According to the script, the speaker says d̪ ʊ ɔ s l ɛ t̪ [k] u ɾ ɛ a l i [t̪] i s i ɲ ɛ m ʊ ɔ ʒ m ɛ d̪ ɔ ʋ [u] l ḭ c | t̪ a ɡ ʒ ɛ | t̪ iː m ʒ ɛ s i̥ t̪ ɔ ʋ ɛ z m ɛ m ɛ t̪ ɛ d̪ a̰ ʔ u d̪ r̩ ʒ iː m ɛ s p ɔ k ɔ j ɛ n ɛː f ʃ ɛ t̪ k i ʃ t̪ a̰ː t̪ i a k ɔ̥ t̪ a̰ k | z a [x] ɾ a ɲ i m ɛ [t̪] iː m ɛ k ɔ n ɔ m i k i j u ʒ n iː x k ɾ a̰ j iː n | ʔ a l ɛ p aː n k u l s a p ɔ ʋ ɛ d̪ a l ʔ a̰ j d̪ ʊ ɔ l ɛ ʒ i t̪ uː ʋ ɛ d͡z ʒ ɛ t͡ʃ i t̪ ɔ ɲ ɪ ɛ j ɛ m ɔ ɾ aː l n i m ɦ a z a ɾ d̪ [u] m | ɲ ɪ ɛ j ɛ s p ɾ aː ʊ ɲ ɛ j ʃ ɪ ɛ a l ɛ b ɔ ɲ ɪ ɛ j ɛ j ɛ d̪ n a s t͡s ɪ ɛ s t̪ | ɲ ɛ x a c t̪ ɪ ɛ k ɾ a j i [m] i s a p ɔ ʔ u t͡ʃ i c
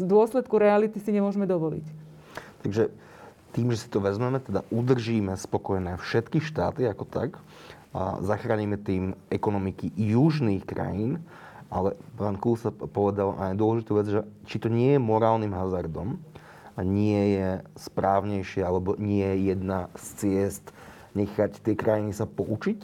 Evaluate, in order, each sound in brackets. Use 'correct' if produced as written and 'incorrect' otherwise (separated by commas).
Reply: correct, correct, incorrect, correct, correct, incorrect, incorrect